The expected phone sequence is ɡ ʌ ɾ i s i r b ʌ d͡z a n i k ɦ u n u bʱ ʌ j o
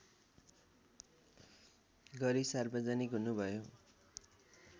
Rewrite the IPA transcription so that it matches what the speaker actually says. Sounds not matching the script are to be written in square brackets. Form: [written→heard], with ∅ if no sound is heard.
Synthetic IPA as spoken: ɡ ʌ ɾ i s [i→a] r b ʌ d͡z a n i k ɦ u n u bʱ ʌ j o